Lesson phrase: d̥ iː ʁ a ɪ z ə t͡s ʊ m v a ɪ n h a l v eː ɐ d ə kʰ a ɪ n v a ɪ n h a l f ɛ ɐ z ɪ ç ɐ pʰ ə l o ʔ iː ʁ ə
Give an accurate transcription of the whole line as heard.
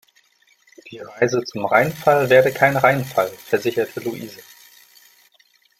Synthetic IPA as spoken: d̥ iː ʁ a ɪ z ə t͡s ʊ m ʁ a ɪ n f a l v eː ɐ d ə kʰ a ɪ n ʁ a ɪ n f a l f ɛ ɐ z ɪ ç ɐ tʰ ə l u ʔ iː z ə